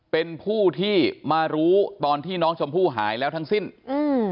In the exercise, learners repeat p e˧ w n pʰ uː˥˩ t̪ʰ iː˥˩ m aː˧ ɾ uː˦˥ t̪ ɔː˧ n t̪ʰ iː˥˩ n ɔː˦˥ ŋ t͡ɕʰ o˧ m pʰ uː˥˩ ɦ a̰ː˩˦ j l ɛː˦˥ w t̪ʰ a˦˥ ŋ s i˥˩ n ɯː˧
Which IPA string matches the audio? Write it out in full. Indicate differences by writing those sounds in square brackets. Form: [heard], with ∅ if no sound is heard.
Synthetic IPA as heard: p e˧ [∅] n pʰ uː˥˩ t̪ʰ iː˥˩ m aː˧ ɾ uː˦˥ t̪ ɔː˧ n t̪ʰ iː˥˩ n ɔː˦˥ ŋ t͡ɕʰ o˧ m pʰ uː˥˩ ɦ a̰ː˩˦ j l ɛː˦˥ w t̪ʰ a˦˥ ŋ s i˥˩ n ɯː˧